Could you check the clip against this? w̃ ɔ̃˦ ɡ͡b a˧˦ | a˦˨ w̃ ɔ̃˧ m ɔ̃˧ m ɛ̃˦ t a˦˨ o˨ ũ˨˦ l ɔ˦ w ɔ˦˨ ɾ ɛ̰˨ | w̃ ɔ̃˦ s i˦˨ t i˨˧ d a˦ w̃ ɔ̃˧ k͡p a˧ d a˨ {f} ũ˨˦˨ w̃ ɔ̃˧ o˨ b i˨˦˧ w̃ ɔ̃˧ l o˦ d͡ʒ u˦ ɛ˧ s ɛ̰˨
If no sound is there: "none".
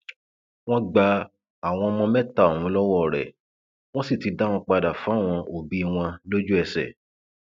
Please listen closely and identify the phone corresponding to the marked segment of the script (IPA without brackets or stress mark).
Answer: f